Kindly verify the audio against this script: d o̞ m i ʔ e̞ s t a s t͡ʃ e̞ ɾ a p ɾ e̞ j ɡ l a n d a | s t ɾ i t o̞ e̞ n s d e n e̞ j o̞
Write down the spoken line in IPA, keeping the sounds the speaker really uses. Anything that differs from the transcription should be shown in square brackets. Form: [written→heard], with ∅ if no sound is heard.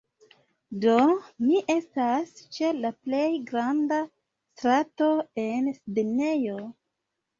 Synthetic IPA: d o̞ m i ʔ e̞ s t a s t͡ʃ e̞ [ɾ→l] a p [ɾ→l] e̞ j ɡ [l→ɾ] a n d a | s t ɾ [i→a] t o̞ e̞ n s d e n e̞ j o̞